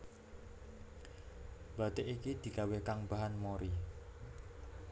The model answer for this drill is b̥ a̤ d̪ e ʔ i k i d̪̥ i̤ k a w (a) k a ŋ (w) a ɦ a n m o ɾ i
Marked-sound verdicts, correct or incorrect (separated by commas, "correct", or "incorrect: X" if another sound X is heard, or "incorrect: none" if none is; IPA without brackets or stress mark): incorrect: e, incorrect: b